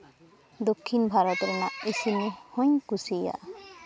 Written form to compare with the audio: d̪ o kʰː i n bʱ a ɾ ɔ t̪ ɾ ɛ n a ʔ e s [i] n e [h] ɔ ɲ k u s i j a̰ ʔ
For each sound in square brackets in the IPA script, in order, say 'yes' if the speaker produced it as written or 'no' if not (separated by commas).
yes, yes